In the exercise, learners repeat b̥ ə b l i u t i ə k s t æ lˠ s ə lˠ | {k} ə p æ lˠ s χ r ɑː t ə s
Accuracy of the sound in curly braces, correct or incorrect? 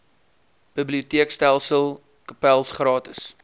correct